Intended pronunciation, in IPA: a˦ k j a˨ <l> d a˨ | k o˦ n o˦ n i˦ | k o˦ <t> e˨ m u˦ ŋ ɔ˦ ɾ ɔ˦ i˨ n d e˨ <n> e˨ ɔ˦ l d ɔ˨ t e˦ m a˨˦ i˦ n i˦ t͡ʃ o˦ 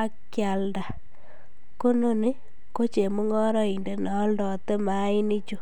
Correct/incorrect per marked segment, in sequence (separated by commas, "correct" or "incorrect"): correct, incorrect, correct